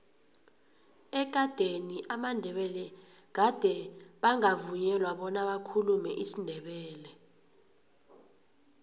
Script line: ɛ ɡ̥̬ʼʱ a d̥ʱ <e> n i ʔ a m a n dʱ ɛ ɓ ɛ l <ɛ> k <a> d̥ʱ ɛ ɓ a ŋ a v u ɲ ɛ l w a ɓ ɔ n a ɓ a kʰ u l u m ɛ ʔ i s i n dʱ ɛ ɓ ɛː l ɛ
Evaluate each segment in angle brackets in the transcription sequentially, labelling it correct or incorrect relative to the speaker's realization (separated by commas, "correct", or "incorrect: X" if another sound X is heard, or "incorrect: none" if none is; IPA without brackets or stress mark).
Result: correct, correct, correct